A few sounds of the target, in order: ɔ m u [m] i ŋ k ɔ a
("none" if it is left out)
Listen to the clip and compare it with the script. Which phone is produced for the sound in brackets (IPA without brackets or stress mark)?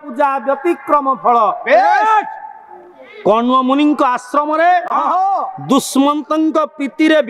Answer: n